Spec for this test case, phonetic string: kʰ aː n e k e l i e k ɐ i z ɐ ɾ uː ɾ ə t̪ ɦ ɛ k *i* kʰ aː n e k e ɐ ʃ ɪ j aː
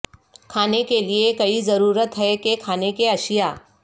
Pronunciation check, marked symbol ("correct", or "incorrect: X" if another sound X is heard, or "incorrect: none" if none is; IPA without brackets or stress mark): incorrect: e